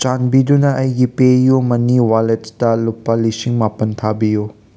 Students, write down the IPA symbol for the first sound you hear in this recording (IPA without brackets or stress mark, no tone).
t͡ʃ